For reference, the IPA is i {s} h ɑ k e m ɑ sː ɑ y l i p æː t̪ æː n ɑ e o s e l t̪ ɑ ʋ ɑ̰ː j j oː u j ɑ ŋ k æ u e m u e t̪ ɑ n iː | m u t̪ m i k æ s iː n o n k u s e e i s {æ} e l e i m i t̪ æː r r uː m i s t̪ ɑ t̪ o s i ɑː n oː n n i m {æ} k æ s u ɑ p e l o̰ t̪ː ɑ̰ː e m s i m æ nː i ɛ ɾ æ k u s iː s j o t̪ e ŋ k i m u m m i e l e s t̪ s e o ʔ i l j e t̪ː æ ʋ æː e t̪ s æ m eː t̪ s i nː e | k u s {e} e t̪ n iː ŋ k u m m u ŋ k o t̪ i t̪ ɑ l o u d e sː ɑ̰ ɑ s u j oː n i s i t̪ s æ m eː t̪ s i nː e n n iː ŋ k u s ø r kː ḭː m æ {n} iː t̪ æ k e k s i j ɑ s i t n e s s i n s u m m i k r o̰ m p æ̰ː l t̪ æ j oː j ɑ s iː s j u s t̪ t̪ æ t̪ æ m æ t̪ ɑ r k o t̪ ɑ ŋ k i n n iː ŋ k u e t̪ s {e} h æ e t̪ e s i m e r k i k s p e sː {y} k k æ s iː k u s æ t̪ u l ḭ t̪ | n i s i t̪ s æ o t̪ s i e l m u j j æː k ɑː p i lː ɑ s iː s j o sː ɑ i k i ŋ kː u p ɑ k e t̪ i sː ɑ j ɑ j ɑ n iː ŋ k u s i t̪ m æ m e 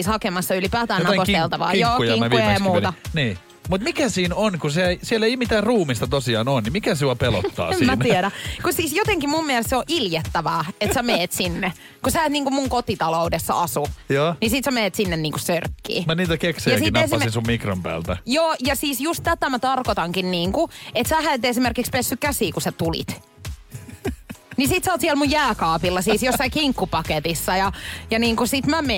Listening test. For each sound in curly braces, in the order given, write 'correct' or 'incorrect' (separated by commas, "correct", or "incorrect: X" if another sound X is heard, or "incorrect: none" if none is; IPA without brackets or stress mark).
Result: correct, incorrect: i, incorrect: i, incorrect: æ, correct, incorrect: æ, correct